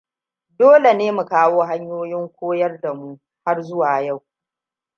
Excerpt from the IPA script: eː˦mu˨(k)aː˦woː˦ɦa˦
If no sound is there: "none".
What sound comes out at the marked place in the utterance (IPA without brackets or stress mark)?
k